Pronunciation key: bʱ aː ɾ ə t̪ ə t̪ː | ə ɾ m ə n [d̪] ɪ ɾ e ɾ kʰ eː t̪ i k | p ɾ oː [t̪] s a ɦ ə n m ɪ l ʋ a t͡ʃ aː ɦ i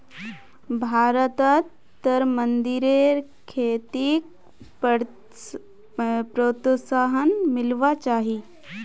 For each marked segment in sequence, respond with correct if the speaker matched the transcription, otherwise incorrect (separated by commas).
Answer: correct, correct